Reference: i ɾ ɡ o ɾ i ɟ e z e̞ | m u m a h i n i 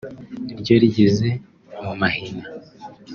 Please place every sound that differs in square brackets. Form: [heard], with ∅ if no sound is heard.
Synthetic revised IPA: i ɾ [ɟ] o ɾ i ɟ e z e̞ | m u m a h i n [a]